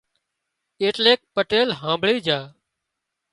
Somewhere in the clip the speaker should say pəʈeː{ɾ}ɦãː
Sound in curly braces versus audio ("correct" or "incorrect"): incorrect